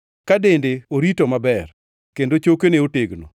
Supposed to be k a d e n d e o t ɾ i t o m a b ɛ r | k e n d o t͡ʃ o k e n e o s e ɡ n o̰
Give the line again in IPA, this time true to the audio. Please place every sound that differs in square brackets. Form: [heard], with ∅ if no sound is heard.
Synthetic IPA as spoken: k a d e n d e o [∅] ɾ i t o m a b ɛ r | k e n d o t͡ʃ o k e n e o [t] e ɡ n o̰